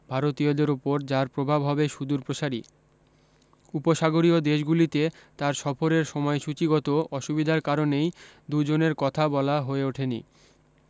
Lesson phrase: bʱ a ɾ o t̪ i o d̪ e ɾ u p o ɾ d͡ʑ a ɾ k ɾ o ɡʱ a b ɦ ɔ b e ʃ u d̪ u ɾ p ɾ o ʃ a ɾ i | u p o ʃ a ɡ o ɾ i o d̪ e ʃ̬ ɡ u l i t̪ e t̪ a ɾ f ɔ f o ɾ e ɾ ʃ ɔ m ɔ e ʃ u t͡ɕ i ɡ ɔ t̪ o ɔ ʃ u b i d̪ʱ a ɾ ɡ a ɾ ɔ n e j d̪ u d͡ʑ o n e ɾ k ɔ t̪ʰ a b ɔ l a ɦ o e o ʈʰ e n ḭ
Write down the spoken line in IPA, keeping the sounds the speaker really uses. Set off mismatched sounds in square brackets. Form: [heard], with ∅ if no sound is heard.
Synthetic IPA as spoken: bʱ a ɾ o t̪ i o d̪ e ɾ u p o ɾ d͡ʑ a ɾ [p] ɾ o [bʱ] a b ɦ ɔ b e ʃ u d̪ u ɾ p ɾ o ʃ a ɾ i | u p o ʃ a ɡ o ɾ i o d̪ e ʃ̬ ɡ u l i t̪ e t̪ a ɾ [ʃ] ɔ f o ɾ e ɾ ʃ ɔ m ɔ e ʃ u t͡ɕ i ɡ ɔ t̪ o ɔ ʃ u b i d̪ʱ a ɾ [k] a ɾ [o] n e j d̪ u d͡ʑ o n e ɾ k ɔ t̪ʰ a b ɔ l a ɦ o e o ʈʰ e n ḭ